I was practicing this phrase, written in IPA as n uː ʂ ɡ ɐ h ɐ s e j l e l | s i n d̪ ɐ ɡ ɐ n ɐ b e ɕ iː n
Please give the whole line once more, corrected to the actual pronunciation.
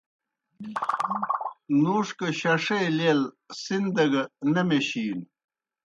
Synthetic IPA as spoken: n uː ʂ k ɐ ɕ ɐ ʂ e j l e l | s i n d̪ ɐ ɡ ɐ n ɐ m e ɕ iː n

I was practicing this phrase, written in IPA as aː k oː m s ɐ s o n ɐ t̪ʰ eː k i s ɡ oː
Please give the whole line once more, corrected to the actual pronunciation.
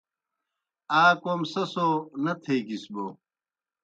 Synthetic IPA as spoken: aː k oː m s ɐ s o n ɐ t̪ʰ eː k i s b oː

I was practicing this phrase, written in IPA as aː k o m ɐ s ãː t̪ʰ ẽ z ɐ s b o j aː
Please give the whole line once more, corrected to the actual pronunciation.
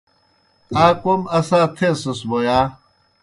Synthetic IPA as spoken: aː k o m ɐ s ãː t̪ʰ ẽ s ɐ s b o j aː

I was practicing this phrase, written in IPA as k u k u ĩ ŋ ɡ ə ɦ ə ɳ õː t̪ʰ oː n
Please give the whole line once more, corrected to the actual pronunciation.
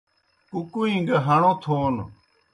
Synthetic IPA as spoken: k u k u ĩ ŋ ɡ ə ɦ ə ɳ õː t̪ʰ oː n

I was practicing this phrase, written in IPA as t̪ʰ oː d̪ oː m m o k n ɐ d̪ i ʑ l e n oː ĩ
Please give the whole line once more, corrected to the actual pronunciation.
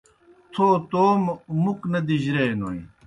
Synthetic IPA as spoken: t̪ʰ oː t̪ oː m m u k n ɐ d̪ i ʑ ɾ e n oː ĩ

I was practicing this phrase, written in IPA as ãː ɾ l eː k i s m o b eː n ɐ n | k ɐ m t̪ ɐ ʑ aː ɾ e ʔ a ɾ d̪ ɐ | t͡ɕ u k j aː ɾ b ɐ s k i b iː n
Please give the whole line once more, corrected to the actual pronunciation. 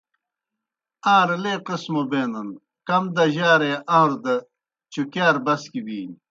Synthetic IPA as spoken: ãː ɾ l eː q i s m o b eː n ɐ n | k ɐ m d̪ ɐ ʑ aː ɾ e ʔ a ɾ d̪ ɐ | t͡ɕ u k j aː ɾ b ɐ s k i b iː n

